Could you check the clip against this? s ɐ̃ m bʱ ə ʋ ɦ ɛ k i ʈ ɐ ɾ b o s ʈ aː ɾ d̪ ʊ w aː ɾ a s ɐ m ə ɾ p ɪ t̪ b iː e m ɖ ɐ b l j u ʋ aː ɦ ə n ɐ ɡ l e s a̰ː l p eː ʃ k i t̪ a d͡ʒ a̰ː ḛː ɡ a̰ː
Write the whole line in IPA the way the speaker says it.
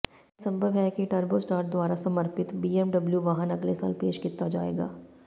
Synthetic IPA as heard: s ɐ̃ m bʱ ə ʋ ɦ ɛ k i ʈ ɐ ɾ b o s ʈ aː ɾ d̪ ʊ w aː ɾ a s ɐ m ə ɾ p ɪ t̪ b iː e m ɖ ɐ b l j u ʋ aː ɦ ə n ɐ ɡ l e s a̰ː l p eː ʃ k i t̪ a d͡ʒ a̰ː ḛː ɡ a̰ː